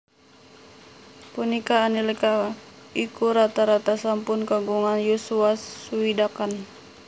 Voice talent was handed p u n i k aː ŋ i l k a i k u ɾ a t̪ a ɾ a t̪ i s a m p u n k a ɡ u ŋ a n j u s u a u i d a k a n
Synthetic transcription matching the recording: p u n i k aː n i l k a i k u ɾ a t̪ a ɾ a t̪ a s a m p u n k a ɡ u ŋ a n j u s u a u i d a k a n